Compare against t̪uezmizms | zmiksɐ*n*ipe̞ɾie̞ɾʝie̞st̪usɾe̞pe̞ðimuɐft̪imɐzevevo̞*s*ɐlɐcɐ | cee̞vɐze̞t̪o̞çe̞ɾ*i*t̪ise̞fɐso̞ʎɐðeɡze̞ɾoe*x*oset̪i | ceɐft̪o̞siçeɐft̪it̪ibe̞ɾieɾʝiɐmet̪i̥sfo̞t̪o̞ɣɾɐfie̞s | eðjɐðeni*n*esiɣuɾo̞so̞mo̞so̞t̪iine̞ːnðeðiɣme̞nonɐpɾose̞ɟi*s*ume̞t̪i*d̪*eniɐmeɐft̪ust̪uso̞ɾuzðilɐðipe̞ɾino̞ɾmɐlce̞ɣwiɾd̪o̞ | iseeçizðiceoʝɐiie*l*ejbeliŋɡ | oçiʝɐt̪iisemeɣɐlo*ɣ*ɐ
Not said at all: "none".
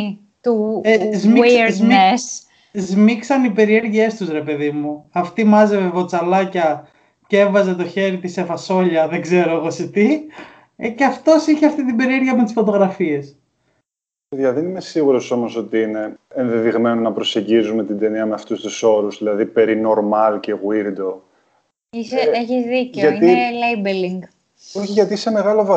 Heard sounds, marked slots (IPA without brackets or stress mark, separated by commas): n, t͡s, i, ɣ, m, z, d̪, l, v